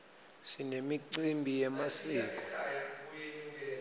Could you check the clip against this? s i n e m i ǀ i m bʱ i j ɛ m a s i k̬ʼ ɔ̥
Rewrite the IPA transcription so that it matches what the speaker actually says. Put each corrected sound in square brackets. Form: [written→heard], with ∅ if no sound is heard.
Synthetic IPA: s i n e m i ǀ i m bʱ i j ɛ m a s [i→iː] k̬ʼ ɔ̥